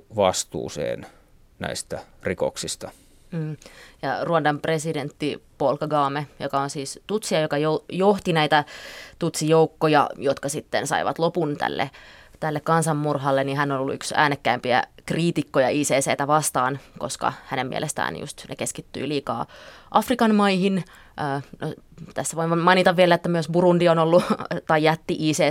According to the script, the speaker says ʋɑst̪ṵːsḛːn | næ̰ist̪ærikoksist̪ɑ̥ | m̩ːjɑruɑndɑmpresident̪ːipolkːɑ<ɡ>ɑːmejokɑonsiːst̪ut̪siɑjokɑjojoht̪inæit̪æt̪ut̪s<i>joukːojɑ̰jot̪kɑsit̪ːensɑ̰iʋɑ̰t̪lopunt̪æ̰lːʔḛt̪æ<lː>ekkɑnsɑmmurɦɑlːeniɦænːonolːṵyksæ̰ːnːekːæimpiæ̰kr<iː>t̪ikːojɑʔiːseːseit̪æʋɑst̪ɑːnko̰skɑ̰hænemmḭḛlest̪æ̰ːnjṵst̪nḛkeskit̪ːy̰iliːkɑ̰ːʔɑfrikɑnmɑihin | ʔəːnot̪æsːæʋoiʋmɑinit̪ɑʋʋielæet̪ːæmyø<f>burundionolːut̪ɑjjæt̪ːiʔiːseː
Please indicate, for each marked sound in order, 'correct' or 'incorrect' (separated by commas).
correct, correct, correct, correct, incorrect